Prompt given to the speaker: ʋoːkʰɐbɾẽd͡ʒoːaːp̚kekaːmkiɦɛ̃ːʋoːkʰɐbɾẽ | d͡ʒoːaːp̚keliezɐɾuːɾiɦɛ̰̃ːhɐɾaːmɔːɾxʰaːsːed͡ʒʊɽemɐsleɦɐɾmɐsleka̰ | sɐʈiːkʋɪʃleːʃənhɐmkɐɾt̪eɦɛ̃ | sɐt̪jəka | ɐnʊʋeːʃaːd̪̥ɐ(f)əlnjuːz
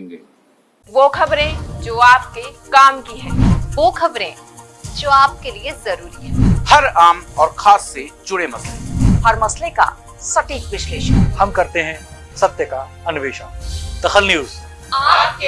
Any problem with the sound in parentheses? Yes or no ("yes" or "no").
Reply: yes